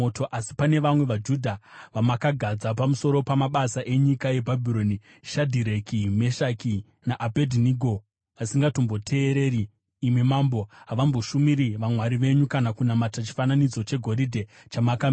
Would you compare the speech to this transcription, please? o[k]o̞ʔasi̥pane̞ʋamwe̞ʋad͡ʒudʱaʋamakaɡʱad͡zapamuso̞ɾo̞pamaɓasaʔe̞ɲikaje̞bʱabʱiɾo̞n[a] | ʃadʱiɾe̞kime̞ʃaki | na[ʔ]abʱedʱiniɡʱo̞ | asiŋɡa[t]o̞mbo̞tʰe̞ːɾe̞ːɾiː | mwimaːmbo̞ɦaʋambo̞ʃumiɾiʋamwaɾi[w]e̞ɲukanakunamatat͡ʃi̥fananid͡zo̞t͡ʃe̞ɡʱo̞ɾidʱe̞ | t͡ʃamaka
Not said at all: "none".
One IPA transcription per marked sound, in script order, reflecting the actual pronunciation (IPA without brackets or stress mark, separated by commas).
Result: t, i, ʔ, t, ʋ